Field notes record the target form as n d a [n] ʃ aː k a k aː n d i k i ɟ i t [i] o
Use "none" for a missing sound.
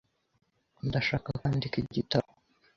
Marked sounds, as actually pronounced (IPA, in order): none, a

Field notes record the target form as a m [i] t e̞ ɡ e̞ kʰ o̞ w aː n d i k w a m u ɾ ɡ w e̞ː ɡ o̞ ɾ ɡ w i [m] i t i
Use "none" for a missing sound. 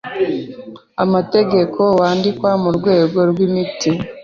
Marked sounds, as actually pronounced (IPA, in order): a, m

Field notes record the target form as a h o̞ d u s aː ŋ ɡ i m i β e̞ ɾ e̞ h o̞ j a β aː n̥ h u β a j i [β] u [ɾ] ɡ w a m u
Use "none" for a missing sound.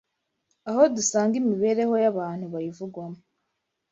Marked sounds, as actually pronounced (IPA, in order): v, none

